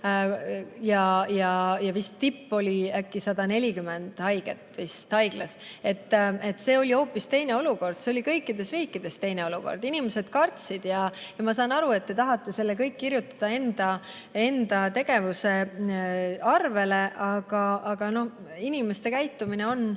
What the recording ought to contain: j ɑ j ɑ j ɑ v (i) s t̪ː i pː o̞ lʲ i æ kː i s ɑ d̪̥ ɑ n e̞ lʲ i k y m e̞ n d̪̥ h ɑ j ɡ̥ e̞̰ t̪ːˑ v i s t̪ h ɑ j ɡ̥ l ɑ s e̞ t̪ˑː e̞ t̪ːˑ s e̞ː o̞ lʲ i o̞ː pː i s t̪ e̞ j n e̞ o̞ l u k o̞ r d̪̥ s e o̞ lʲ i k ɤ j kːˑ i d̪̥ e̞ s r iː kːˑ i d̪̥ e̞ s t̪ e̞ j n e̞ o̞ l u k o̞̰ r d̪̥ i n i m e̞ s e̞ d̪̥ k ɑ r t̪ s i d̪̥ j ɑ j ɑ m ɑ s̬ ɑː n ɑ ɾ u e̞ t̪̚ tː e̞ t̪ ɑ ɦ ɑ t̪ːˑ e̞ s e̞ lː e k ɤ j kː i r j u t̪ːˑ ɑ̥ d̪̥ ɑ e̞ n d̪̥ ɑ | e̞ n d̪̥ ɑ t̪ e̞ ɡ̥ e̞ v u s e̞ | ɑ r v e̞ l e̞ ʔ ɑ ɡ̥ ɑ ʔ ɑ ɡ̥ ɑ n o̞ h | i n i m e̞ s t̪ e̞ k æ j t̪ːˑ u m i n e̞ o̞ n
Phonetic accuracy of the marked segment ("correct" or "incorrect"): correct